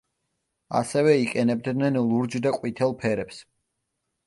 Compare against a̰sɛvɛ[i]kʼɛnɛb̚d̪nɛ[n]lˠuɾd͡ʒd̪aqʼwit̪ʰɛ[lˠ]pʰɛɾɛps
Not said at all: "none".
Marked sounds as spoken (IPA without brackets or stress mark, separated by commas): i, n, lˠ